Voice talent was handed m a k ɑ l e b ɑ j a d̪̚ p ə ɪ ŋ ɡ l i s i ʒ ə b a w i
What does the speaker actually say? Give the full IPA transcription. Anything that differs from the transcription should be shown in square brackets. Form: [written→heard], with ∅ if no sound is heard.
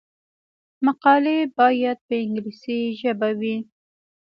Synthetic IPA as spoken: m a [k→q] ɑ l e b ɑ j a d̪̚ p ə ɪ ŋ ɡ l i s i ʒ ə b a w i